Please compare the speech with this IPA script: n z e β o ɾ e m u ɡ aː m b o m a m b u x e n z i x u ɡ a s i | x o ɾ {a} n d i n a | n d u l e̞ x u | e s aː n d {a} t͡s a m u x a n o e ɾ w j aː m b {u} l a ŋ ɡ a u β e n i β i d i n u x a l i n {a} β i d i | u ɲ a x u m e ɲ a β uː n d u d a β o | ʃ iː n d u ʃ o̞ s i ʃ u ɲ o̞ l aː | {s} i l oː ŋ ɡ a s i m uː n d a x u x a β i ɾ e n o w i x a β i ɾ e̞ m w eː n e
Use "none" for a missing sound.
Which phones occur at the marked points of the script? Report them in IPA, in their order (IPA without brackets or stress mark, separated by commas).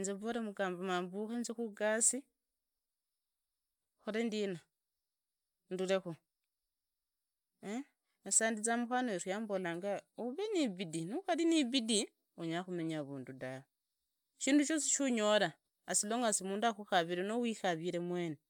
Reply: e, i, o, i, s